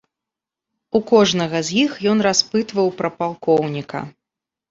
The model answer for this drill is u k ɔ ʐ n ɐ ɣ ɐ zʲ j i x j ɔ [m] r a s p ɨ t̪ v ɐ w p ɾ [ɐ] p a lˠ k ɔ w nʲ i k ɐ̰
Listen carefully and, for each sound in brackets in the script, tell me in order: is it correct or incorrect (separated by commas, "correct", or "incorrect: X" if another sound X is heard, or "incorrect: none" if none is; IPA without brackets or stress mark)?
incorrect: n, correct